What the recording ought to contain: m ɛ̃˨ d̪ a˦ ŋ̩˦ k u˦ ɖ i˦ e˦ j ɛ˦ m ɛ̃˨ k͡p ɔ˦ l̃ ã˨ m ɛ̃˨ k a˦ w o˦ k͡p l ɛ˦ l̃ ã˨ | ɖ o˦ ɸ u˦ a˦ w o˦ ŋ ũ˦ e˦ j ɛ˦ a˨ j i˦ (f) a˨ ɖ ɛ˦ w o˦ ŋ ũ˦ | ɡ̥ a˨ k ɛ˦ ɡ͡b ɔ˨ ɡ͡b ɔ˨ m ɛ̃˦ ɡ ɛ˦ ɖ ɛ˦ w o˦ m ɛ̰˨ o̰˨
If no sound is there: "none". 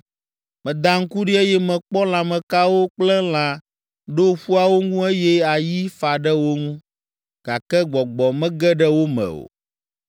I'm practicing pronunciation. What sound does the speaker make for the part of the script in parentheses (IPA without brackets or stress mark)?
f